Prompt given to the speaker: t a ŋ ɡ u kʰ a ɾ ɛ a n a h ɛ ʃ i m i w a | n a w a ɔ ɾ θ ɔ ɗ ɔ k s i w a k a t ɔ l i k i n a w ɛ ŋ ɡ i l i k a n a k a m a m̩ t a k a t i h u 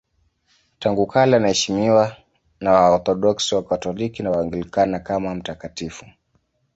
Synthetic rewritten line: t a ŋ ɡ u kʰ a l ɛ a n a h ɛ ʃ i m i w a | n a w a ɔ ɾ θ ɔ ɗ ɔ k s i w a k a t ɔ l i k i n a w a ŋ ɡ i l i k a n a k a m a m̩ t a k a t i f u